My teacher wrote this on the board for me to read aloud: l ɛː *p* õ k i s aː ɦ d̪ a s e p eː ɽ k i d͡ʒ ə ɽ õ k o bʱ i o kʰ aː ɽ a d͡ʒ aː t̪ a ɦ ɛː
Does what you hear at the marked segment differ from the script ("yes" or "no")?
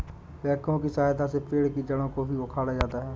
yes